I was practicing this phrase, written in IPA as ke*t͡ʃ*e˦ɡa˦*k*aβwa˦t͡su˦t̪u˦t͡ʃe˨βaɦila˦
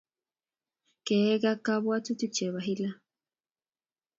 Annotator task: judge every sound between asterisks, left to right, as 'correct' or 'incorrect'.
incorrect, correct

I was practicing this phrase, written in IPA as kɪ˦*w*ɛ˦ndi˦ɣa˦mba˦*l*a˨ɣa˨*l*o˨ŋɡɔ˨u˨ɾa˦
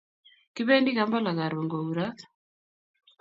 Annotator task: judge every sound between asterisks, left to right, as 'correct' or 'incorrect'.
incorrect, correct, incorrect

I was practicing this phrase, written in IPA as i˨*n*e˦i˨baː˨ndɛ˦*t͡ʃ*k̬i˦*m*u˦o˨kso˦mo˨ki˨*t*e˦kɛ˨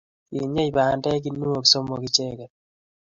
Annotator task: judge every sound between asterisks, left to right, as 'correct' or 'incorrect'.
incorrect, incorrect, incorrect, incorrect

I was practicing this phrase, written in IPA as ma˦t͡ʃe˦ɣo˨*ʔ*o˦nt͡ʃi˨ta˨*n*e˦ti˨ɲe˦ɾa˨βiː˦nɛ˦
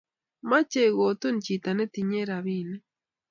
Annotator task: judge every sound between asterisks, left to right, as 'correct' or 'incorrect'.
incorrect, correct

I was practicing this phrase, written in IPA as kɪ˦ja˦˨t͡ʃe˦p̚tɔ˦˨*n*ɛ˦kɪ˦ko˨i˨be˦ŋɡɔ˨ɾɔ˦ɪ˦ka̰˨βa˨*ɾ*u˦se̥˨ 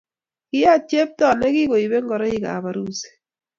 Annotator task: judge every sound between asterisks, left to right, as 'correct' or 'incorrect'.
correct, correct

